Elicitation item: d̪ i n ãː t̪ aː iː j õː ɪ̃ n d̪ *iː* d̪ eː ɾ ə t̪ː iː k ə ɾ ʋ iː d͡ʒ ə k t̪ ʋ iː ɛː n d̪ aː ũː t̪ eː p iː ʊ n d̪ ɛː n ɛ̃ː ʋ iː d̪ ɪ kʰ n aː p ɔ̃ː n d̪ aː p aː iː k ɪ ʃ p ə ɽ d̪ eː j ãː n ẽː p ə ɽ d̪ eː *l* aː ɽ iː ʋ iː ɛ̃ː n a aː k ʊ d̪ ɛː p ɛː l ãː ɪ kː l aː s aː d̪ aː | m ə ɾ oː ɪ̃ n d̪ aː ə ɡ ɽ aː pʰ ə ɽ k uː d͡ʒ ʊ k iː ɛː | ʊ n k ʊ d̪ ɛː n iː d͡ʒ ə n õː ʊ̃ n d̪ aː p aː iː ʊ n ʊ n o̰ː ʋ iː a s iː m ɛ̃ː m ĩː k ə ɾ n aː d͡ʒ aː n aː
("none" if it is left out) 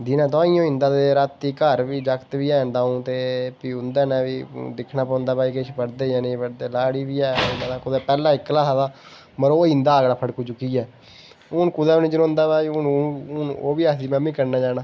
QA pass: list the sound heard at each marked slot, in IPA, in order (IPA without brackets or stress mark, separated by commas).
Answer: aː, l